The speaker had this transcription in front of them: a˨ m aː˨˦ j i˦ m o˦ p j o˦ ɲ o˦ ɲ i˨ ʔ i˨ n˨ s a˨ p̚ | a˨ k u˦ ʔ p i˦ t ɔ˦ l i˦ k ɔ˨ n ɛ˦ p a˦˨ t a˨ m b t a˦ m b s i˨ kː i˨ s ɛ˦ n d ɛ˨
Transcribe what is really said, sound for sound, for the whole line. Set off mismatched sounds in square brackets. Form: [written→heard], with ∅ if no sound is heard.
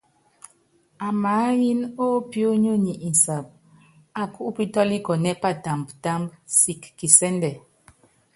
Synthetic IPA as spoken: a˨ m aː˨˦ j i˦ [m→n] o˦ p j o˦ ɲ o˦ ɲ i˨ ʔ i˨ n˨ s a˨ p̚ | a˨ k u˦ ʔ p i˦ t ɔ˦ l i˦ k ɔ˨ n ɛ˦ p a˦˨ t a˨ m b t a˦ m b s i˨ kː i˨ s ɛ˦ n d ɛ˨